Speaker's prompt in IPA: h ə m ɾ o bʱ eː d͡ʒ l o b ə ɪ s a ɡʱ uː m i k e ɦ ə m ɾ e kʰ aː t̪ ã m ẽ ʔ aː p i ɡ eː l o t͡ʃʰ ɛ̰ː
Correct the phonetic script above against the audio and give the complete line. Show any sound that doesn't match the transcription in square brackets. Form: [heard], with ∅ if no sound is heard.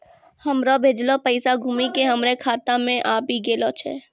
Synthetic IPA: h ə m ɾ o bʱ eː d͡ʒ l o [p] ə ɪ s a ɡʱ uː m i k e ɦ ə m ɾ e kʰ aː t̪ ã m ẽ ʔ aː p i ɡ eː l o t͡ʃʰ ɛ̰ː